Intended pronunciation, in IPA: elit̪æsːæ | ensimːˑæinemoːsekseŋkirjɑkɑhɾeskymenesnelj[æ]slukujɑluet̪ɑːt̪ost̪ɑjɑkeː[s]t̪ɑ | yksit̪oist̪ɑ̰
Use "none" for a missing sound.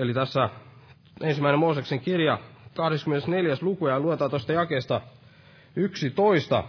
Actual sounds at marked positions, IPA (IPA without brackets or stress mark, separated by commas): æ, s